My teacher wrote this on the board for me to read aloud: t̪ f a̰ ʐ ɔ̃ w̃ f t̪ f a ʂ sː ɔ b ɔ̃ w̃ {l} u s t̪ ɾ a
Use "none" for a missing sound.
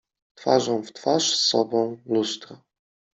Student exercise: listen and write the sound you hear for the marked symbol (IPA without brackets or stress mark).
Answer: l